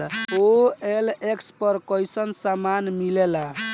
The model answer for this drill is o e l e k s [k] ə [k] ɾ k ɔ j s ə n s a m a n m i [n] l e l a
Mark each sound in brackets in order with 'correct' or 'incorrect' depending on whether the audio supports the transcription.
incorrect, incorrect, incorrect

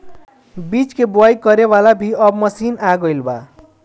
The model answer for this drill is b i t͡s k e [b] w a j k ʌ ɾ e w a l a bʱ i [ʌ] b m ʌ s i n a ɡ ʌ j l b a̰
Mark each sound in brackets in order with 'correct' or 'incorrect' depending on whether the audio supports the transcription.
correct, correct

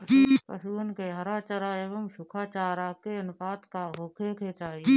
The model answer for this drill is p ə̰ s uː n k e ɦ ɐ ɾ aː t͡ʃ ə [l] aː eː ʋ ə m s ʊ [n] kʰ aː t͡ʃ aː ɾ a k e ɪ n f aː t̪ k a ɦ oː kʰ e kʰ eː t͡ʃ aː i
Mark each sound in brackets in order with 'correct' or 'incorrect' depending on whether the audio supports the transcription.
incorrect, incorrect

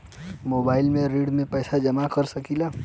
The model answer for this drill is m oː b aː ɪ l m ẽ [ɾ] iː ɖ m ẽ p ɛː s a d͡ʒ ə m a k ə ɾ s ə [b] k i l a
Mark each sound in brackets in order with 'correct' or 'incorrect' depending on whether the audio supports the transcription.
correct, incorrect

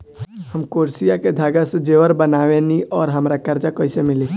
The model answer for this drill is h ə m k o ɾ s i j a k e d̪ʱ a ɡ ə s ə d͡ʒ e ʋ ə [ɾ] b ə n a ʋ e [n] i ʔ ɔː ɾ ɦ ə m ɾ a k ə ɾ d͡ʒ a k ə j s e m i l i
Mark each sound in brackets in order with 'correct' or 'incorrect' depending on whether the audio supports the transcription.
correct, correct

